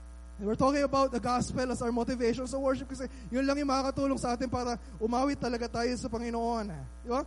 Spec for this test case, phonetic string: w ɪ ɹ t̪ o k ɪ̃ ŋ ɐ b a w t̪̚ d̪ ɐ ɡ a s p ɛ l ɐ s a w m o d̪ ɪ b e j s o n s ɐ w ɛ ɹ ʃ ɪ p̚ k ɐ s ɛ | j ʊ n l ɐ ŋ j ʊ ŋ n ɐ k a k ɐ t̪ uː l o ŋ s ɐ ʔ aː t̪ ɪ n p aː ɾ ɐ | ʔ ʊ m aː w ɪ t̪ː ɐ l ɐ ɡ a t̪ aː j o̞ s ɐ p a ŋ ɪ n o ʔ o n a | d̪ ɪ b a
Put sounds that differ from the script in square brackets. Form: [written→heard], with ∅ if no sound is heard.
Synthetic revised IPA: w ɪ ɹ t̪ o k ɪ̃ ŋ ɐ b a w t̪̚ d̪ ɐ ɡ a s p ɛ l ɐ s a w m o [d̪→t̪] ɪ [b→v] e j [s→ʃ] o n s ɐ w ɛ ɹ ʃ ɪ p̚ k ɐ s ɛ | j ʊ n l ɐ ŋ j ʊ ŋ [n→m] ɐ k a k ɐ t̪ uː l o ŋ s ɐ ʔ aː t̪ ɪ n p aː ɾ ɐ | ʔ ʊ m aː w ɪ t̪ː ɐ l ɐ ɡ a t̪ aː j o̞ s ɐ p [a→ɐ] ŋ ɪ n o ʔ o n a | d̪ ɪ b a